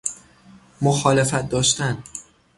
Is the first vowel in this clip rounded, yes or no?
yes